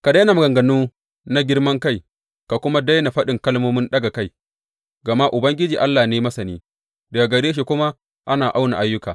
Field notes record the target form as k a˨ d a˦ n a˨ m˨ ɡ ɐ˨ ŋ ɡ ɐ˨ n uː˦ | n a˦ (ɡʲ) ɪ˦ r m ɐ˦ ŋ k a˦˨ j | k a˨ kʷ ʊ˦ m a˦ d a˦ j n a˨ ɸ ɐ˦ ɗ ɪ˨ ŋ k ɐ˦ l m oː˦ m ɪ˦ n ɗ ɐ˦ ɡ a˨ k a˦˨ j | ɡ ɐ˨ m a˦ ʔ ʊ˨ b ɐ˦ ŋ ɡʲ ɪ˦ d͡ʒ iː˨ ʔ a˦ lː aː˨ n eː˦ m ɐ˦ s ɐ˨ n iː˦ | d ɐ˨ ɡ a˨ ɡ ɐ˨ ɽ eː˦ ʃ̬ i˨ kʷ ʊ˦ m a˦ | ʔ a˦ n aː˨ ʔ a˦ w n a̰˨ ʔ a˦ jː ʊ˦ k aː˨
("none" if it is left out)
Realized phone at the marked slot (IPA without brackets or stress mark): ɡʲ